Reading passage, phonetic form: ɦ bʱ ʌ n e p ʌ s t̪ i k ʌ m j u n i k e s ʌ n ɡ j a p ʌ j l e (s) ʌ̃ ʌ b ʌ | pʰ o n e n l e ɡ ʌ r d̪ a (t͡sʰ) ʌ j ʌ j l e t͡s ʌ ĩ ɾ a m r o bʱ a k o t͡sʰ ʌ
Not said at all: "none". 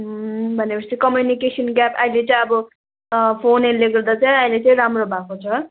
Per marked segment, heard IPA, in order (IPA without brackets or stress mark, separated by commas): t͡s, t͡s